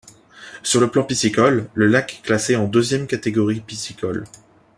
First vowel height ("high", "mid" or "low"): high